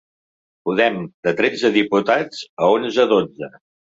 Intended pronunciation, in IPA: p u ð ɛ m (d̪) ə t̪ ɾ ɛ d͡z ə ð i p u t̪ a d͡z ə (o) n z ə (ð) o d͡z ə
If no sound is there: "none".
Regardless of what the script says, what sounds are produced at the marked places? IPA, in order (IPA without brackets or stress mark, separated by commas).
d̪, o, ð